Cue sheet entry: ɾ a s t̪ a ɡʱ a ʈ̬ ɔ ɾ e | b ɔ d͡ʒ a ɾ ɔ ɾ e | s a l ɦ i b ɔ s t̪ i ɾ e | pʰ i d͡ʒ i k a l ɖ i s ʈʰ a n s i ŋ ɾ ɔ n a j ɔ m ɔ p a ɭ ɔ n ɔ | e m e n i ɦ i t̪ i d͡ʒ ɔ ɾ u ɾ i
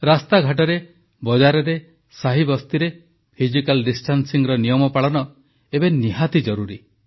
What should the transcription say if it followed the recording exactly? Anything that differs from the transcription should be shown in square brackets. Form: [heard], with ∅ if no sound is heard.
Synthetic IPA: ɾ a s t̪ a ɡʱ a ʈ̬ ɔ ɾ e | b ɔ d͡ʒ a ɾ ɔ ɾ e | s a [∅] ɦ i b ɔ s t̪ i ɾ e | pʰ i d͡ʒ i k a l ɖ i s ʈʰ a n s i ŋ ɾ ɔ n [i] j ɔ m ɔ p a ɭ ɔ n ɔ | e [b] e n i ɦ [a] t̪ i d͡ʒ ɔ ɾ u ɾ i

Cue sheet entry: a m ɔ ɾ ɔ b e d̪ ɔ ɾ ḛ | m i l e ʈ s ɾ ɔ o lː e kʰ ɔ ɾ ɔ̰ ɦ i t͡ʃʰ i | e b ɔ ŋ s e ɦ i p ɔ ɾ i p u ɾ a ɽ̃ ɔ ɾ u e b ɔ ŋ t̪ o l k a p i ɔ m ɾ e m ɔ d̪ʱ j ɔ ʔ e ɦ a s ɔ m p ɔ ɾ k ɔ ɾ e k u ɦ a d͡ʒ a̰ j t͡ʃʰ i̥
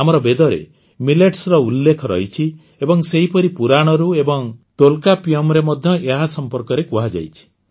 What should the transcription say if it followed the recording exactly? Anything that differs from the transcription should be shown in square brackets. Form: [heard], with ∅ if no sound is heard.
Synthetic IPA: a m ɔ ɾ ɔ b e d̪ ɔ ɾ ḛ | m i l e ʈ s ɾ ɔ [u] lː e kʰ ɔ ɾ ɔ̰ ɦ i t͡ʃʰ i | e b ɔ ŋ s e ɦ i p ɔ ɾ i p u ɾ a ɽ̃ ɔ ɾ u e b ɔ ŋ t̪ o l k a p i ɔ m ɾ e m ɔ d̪ʱ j ɔ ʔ e ɦ a s ɔ m p ɔ ɾ k ɔ ɾ e k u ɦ a d͡ʒ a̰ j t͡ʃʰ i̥

